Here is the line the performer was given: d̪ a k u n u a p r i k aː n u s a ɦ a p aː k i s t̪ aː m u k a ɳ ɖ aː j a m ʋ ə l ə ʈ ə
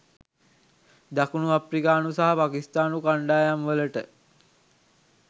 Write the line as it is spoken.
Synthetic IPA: d̪ a k u n u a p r i k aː n u s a ɦ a p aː k i s t̪ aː n u k a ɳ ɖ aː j a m ʋ ə l ə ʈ ə